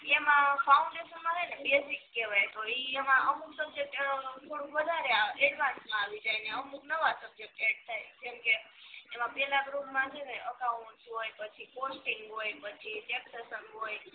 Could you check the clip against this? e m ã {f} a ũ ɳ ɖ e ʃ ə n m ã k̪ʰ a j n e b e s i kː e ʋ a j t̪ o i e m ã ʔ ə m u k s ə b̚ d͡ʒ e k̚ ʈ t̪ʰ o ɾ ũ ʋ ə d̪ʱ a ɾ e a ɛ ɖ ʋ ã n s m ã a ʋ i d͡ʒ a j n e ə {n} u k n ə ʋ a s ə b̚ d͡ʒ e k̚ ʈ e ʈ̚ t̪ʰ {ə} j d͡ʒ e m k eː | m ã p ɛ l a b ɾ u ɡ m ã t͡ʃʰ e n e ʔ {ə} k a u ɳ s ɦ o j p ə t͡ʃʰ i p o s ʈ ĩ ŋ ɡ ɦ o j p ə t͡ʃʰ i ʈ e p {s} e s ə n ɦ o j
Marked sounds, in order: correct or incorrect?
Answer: correct, incorrect, incorrect, correct, correct

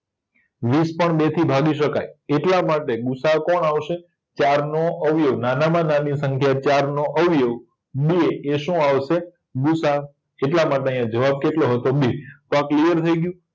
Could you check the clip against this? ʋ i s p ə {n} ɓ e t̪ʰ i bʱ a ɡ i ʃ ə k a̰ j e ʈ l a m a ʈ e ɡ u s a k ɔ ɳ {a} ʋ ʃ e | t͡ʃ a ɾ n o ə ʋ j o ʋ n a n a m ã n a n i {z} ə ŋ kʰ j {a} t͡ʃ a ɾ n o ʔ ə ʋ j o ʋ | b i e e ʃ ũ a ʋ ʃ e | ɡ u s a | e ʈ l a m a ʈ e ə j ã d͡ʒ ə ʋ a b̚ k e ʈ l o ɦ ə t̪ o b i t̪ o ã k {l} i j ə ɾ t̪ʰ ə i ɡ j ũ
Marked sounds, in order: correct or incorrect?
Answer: incorrect, correct, incorrect, correct, correct

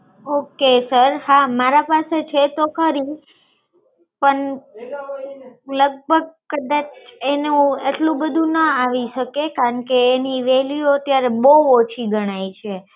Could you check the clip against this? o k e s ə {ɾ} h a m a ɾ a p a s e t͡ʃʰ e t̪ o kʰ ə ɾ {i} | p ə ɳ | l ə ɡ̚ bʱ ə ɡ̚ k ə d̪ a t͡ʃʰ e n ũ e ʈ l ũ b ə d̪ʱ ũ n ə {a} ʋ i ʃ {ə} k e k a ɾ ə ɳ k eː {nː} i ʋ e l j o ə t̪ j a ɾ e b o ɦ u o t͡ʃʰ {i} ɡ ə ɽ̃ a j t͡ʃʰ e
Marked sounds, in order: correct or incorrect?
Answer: correct, correct, correct, correct, incorrect, correct

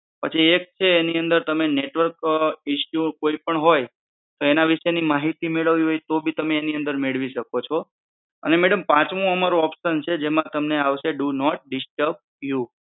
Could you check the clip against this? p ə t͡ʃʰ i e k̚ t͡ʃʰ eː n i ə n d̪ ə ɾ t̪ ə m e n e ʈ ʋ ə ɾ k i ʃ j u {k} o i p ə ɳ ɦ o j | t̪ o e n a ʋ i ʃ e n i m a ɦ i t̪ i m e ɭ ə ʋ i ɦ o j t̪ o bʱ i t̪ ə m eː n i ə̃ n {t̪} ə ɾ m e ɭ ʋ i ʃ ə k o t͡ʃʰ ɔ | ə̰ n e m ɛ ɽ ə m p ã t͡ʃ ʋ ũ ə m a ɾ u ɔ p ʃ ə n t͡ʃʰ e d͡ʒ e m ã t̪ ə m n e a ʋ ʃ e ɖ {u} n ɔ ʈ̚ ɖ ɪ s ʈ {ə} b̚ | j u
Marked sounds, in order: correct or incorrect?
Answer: correct, incorrect, correct, correct

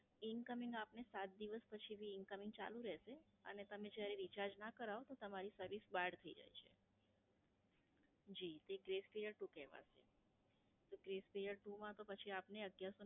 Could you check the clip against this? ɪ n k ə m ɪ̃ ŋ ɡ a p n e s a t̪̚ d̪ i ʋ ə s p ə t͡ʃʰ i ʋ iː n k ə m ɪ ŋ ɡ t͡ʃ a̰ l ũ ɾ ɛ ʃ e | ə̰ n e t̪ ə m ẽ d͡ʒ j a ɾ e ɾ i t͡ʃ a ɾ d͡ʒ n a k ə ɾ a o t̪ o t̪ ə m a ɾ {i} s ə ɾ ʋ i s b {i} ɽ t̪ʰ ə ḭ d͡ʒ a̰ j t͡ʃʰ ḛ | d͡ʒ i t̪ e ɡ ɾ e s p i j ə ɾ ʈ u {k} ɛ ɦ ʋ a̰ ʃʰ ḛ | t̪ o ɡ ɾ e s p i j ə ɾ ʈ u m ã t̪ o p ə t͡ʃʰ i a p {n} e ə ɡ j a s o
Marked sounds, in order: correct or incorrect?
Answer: correct, incorrect, correct, correct

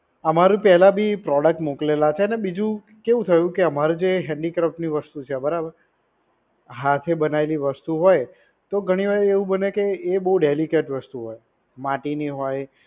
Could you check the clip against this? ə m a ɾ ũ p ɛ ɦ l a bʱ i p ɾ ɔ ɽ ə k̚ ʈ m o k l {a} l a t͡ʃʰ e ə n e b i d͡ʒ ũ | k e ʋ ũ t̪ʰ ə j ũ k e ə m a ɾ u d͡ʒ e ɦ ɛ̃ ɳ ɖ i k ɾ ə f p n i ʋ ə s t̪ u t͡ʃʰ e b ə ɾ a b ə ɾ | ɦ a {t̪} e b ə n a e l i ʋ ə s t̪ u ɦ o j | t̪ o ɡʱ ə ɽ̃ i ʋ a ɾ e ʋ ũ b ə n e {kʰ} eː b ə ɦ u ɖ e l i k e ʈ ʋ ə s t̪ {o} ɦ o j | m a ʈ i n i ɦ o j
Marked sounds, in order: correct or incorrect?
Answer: incorrect, incorrect, incorrect, incorrect

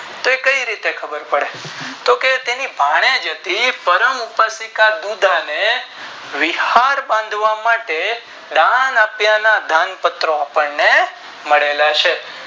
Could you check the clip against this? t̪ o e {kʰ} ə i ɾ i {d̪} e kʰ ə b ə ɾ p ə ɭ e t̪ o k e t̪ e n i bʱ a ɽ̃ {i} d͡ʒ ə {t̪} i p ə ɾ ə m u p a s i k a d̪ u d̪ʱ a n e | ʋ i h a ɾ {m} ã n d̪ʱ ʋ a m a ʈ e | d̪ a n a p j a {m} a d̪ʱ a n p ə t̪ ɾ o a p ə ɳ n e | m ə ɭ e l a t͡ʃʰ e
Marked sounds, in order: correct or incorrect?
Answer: incorrect, incorrect, incorrect, correct, incorrect, incorrect

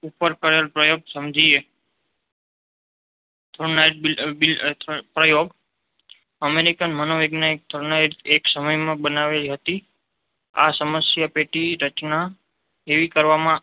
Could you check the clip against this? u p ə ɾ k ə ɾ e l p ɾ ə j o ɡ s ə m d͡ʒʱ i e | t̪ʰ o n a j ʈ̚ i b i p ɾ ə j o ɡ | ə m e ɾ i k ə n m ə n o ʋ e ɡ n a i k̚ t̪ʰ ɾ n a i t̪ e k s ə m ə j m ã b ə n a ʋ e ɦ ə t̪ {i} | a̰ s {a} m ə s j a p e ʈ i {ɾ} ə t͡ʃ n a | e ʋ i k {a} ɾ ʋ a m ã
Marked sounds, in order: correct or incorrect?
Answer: correct, incorrect, correct, incorrect

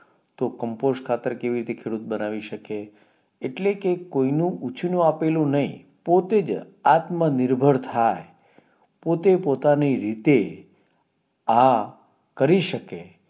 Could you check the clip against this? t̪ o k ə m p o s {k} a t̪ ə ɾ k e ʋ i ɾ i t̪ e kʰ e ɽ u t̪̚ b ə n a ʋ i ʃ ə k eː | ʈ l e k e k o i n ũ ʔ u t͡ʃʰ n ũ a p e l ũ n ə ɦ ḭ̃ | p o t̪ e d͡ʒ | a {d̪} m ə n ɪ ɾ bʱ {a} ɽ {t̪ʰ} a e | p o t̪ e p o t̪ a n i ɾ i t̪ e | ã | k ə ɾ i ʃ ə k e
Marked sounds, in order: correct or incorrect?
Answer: incorrect, incorrect, incorrect, correct

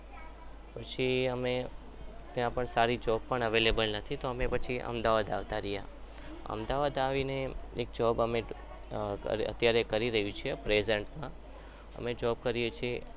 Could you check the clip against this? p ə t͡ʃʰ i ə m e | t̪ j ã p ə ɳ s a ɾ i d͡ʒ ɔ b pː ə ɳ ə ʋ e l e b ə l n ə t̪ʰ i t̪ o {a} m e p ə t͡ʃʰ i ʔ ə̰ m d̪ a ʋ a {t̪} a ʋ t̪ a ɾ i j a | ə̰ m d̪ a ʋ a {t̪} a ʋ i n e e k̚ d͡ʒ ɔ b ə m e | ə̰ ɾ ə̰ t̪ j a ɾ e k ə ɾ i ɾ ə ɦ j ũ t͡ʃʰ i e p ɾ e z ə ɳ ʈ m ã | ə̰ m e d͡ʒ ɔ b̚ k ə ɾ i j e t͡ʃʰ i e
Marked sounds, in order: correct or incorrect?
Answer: incorrect, incorrect, incorrect

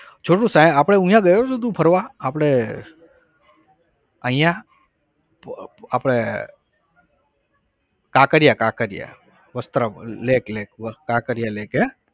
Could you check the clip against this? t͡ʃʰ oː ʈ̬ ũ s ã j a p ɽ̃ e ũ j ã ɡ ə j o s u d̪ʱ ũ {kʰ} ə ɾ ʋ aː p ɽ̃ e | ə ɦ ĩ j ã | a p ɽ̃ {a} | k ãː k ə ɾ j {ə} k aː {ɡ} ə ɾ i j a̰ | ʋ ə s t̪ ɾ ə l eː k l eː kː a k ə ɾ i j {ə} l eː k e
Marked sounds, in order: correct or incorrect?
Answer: incorrect, incorrect, incorrect, incorrect, incorrect

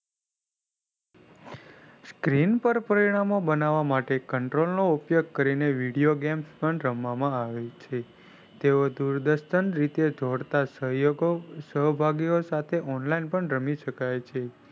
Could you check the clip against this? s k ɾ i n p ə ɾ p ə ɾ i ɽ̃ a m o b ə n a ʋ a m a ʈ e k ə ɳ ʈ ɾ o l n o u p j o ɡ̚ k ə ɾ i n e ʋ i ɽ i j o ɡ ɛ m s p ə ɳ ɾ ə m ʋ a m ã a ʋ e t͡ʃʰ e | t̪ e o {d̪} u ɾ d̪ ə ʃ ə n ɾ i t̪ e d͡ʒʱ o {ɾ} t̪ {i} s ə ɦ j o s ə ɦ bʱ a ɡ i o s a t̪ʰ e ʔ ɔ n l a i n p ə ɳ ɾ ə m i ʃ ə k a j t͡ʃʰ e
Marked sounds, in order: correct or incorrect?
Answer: correct, incorrect, incorrect

